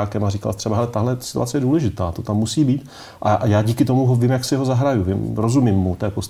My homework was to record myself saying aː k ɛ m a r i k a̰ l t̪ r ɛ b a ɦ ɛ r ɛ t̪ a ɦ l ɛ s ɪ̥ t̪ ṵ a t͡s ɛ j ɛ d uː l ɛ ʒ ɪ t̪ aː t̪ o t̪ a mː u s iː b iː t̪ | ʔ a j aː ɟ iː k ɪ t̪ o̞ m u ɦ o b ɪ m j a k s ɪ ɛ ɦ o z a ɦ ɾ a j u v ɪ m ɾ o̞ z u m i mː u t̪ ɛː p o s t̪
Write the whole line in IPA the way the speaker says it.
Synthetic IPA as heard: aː k ɛ m a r i k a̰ l t̪ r ɛ b a ɦ ɛ l ɛ t̪ a ɦ l ɛ s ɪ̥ t̪ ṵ a t͡s ɛ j ɛ d uː l ɛ ʒ ɪ t̪ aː t̪ o t̪ a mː u s iː b iː t̪ | ʔ a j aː ɟ iː k ɪ t̪ o̞ m u ɦ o v ɪ m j a k s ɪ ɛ ɦ o z a ɦ ɾ a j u v ɪ m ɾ o̞ z u m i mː u t̪ ɛː p o s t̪